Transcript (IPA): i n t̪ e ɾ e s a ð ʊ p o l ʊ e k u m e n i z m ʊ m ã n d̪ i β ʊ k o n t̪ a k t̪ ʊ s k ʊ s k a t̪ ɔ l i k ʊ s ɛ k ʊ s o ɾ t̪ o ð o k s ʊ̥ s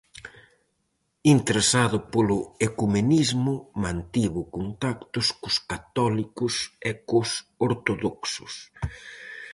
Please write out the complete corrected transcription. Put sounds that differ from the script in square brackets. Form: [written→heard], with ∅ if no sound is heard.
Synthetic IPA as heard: i n t̪ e ɾ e s a ð ʊ p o l ʊ e k u m e n i z m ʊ m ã n [d̪→t̪] i β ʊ k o n t̪ a k t̪ ʊ s k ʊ s k a t̪ ɔ l i k ʊ s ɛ k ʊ s o ɾ t̪ o ð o k s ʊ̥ s